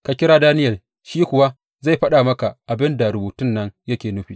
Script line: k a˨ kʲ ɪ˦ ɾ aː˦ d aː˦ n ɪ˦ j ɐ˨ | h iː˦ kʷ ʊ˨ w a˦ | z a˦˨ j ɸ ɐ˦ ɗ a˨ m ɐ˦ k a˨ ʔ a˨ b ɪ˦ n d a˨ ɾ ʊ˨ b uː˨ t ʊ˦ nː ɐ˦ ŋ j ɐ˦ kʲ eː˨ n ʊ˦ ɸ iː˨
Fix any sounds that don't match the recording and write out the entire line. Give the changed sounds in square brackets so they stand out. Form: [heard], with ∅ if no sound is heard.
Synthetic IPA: k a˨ kʲ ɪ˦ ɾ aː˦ d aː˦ n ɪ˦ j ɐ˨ | [ʃ] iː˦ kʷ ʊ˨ w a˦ | z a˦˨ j ɸ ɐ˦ ɗ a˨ m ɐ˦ k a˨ ʔ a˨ b ɪ˦ n d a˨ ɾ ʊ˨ b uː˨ t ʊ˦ nː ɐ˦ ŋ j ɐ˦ kʲ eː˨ n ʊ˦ ɸ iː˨

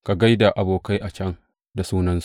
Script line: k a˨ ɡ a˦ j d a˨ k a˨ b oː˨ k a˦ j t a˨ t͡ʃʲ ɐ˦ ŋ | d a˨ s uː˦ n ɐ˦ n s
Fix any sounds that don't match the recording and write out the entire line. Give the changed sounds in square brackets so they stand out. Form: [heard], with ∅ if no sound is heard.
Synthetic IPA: k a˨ ɡ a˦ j d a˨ [ʔ] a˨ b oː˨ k a˦ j [ʔ] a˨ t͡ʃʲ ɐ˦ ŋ | d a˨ s uː˦ n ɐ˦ n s

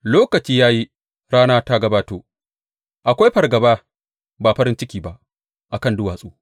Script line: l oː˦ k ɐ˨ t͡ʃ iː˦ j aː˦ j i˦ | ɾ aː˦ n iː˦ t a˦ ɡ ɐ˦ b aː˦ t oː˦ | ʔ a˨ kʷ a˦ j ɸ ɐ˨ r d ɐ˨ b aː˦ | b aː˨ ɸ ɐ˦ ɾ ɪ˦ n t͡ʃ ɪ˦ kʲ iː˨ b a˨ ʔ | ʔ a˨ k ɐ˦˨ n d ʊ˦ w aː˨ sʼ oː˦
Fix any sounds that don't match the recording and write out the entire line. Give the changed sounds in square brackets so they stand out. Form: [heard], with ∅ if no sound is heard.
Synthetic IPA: l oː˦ k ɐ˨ t͡ʃ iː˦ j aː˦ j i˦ | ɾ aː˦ n [aː˦] t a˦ ɡ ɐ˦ b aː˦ t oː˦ | ʔ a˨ kʷ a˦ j ɸ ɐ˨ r [ɡ] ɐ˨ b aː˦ | b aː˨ ɸ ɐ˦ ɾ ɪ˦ n t͡ʃ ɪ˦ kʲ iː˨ b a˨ ʔ | ʔ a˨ k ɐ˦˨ n d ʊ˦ w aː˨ sʼ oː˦

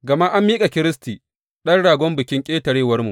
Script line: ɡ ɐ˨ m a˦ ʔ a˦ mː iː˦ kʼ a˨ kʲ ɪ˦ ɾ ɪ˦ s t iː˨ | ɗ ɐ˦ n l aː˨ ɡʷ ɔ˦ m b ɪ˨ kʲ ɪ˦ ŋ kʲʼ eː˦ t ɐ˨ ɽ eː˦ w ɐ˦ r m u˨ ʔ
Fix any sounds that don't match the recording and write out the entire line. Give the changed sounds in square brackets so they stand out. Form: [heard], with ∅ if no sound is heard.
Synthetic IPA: ɡ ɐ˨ m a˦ ʔ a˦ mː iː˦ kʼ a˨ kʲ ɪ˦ ɾ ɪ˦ s t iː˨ | ɗ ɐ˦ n [ɽ] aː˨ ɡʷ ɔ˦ m b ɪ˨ kʲ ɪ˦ ŋ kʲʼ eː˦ t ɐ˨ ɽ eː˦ w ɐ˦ r m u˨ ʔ

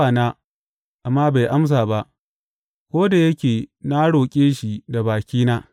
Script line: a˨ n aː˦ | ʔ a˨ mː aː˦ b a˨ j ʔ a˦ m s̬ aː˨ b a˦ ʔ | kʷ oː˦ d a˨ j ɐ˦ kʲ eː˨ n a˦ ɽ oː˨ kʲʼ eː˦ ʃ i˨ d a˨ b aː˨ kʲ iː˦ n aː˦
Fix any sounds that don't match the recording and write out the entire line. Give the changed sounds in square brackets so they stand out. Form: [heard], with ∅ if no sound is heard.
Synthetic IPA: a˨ n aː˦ | ʔ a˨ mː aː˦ b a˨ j ʔ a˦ m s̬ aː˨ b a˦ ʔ | kʷ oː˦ d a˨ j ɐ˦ kʲ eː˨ n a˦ ɽ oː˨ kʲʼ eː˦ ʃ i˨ d a˨ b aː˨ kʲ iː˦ n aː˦

